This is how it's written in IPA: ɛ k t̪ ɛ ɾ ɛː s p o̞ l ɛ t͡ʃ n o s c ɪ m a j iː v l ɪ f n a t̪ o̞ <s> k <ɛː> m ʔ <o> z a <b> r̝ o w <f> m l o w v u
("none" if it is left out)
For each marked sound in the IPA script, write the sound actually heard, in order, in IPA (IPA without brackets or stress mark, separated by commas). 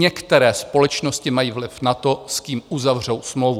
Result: s, iː, u, v, s